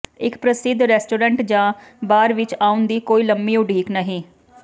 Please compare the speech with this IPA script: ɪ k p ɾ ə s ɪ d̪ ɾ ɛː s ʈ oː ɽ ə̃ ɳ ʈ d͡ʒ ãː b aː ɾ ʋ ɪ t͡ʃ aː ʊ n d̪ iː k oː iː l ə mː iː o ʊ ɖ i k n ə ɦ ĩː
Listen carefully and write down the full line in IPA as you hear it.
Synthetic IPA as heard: ɪ k p ɾ ə s ɪ d̪ ɾ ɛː s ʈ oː ɾ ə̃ ɳ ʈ d͡ʒ ãː b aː ɾ ʋ ɪ t͡ʃ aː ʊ n d̪ iː k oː iː l ə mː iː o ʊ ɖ iː k n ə ɦ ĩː